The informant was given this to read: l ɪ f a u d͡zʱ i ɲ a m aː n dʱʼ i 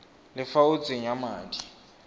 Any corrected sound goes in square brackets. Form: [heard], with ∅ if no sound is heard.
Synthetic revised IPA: l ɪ f a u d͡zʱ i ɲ a m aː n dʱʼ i